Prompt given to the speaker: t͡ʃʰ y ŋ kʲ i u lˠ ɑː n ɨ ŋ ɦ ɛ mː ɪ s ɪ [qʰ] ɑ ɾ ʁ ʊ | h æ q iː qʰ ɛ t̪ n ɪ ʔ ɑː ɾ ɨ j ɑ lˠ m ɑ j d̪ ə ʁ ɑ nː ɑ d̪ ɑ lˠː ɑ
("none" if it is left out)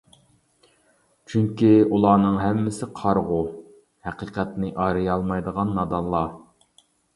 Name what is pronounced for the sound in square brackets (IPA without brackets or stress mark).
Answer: qʰ